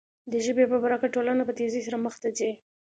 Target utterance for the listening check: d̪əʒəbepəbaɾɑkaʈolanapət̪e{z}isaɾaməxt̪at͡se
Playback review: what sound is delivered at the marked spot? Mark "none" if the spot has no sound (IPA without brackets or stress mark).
z